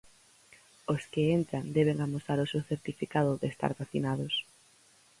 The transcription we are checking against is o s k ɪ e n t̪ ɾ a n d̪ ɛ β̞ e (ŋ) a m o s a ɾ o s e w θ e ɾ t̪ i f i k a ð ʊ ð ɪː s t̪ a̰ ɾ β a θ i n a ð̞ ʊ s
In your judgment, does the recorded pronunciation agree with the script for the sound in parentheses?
yes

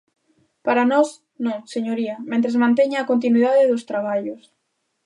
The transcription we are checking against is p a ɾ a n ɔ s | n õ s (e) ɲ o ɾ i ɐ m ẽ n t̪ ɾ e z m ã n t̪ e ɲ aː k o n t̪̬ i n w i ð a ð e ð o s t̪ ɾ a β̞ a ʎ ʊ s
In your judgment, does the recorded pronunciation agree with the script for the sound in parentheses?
yes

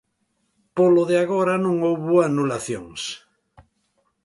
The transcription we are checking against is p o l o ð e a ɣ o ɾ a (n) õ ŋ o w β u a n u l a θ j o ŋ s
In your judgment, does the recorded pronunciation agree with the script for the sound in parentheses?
yes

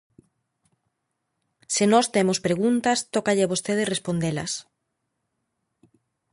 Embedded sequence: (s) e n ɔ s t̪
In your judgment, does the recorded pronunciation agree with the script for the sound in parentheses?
yes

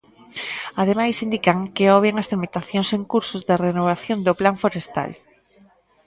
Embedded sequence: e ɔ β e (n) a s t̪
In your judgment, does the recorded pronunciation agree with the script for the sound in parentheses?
no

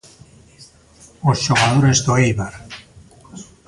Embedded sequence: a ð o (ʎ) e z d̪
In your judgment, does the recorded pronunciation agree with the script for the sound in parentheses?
no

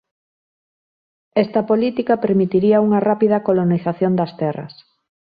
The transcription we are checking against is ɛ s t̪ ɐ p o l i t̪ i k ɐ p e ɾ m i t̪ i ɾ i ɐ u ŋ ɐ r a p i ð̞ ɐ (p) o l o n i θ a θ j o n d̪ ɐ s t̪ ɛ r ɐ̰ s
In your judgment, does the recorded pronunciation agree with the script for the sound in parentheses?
no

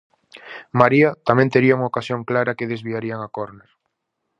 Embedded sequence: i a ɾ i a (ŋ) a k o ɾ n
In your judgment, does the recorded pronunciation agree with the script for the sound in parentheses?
yes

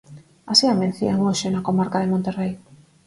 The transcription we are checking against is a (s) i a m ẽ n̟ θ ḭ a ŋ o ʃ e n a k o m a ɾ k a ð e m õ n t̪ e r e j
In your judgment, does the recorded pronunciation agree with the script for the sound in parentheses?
yes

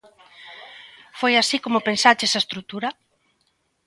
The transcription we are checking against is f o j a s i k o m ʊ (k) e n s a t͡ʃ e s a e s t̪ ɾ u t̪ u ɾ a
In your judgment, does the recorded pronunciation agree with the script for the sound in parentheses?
no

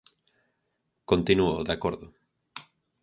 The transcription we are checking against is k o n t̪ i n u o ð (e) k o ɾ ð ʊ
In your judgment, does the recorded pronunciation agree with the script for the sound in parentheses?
no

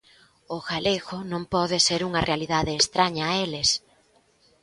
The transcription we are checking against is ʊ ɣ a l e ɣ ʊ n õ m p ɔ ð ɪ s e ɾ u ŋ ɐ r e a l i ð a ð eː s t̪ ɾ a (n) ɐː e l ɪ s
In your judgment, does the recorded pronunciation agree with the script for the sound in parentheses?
no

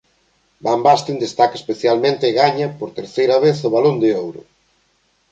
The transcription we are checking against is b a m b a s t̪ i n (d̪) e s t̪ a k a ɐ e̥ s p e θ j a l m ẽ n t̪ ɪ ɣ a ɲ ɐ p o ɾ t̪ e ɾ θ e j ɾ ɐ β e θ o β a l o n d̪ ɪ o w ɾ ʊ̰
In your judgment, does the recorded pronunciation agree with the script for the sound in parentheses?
yes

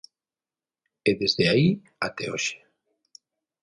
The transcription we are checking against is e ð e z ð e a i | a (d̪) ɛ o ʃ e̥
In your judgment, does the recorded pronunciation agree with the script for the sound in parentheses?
no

